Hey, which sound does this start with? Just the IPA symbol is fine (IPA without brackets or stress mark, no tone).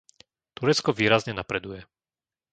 t̪